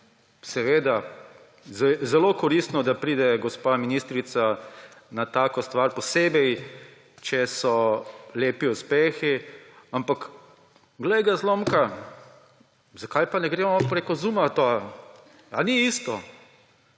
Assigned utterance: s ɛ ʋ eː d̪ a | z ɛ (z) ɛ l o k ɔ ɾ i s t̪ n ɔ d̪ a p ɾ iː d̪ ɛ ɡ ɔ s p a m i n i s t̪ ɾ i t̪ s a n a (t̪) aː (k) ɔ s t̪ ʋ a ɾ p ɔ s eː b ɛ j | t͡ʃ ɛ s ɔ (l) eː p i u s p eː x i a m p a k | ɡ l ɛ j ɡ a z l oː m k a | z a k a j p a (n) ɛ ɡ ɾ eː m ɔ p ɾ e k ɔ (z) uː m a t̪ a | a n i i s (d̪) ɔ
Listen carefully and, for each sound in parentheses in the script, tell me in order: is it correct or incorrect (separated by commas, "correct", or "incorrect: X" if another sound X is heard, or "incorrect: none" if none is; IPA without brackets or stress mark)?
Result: correct, correct, correct, correct, correct, correct, incorrect: t̪